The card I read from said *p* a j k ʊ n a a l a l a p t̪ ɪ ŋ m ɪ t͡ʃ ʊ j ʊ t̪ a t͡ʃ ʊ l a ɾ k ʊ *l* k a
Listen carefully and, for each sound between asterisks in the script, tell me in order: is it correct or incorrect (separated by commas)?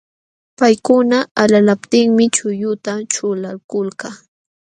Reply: correct, correct